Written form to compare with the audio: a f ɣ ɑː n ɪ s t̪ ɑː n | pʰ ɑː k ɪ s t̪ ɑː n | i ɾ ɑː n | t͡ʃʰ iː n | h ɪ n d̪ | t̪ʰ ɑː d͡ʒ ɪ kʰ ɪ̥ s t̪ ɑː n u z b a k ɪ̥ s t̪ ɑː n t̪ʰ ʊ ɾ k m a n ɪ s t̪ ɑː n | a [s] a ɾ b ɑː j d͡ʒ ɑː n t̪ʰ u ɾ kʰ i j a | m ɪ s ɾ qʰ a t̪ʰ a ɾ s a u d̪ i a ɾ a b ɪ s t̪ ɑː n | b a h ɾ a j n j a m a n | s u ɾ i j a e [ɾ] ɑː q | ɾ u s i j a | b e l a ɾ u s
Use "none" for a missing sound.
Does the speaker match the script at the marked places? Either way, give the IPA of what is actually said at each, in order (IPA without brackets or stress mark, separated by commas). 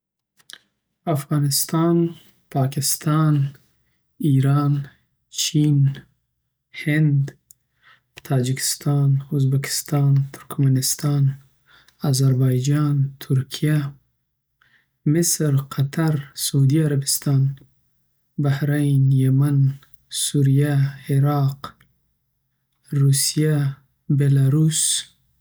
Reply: z, ɾ